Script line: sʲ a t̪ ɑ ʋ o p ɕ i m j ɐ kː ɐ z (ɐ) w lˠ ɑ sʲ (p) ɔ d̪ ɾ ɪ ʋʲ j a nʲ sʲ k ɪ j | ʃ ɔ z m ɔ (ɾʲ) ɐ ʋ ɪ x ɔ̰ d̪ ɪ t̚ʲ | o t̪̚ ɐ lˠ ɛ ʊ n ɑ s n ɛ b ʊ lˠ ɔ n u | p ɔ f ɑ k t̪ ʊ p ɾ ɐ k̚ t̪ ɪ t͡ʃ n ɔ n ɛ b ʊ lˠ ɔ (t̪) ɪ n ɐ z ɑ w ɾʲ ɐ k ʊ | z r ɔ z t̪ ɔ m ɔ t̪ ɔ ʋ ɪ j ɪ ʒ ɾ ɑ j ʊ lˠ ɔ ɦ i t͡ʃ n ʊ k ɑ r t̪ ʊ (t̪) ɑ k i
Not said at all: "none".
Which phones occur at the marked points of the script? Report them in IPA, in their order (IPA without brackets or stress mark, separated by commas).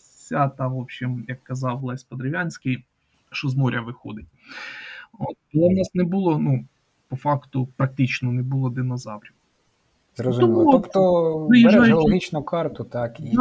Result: ɑ, p, ɾʲ, d̪, t̪